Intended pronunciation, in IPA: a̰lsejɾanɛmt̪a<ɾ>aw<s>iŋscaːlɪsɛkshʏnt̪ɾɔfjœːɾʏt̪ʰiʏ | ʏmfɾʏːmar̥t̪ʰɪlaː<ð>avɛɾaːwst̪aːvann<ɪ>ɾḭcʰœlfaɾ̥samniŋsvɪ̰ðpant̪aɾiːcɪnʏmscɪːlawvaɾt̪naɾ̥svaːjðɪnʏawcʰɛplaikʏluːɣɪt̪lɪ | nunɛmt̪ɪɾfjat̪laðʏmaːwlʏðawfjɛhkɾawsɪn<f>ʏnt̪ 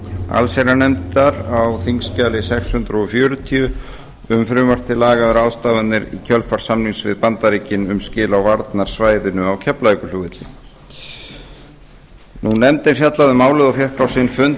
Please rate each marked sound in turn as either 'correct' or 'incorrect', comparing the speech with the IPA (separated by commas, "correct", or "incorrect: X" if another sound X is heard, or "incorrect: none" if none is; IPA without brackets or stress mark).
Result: correct, incorrect: θ, incorrect: ɣ, correct, correct